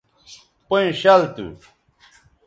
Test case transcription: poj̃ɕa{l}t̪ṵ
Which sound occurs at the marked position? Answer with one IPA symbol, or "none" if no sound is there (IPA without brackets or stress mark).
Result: l